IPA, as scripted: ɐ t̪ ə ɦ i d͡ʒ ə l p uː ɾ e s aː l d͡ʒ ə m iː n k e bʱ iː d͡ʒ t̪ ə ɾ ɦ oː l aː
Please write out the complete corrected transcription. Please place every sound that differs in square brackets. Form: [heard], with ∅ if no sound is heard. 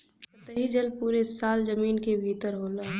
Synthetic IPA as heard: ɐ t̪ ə ɦ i d͡ʒ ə l p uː ɾ e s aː l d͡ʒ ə m iː n k e bʱ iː [∅] t̪ ə ɾ ɦ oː l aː